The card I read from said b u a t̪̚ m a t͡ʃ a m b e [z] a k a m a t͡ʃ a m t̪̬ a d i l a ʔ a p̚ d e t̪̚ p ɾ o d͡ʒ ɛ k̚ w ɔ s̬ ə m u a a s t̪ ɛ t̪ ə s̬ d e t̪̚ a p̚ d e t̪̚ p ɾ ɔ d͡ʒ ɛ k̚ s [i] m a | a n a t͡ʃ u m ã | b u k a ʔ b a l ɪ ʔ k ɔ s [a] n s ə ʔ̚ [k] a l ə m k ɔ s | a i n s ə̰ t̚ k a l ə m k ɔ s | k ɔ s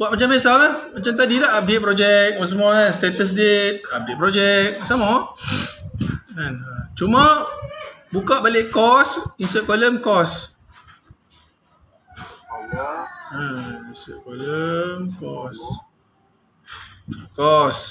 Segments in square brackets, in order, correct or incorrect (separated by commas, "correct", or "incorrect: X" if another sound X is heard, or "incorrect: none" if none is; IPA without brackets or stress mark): incorrect: s, incorrect: a, incorrect: i, correct